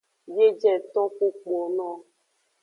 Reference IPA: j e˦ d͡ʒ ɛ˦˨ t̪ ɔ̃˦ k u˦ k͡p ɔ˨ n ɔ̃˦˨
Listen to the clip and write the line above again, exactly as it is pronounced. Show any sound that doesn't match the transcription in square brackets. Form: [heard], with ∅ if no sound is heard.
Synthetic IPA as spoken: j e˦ d͡ʒ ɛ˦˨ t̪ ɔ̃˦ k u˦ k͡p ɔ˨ n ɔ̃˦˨